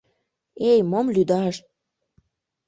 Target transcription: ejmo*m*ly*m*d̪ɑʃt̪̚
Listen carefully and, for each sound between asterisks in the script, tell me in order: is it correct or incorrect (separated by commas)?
correct, incorrect